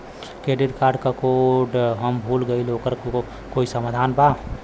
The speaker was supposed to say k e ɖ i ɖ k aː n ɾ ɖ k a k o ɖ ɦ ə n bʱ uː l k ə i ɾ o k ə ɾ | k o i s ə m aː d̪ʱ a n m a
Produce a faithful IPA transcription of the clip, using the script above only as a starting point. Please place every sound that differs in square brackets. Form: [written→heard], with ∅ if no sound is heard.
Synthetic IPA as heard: k e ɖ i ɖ k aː [n→∅] ɾ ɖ k a k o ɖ ɦ ə [n→m] bʱ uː l [k→ɡ] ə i [ɾ→l] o k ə ɾ | k o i s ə m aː d̪ʱ a n [m→b] a